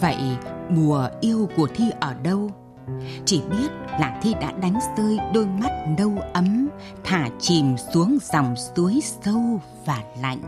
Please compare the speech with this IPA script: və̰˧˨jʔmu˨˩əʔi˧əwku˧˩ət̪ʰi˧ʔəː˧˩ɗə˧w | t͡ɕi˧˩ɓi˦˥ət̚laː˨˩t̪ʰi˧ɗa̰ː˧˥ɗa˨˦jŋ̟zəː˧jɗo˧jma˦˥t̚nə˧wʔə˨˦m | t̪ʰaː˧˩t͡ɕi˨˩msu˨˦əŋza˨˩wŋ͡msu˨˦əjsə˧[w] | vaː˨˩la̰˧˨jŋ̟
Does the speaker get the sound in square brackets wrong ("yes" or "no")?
no